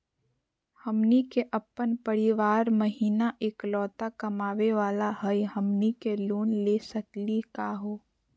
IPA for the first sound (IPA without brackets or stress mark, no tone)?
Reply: h